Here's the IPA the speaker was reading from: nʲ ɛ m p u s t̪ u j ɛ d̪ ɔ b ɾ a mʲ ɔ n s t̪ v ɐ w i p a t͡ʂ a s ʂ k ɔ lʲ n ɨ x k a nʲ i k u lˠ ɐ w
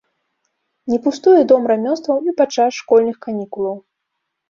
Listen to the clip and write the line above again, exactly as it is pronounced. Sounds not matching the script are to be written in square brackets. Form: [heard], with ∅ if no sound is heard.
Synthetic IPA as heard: nʲ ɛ [∅] p u s t̪ u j ɛ d̪ ɔ [m] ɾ a mʲ ɔ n s t̪ v ɐ w i p a t͡ʂ a s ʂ k ɔ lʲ n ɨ x k a nʲ i k u lˠ ɐ w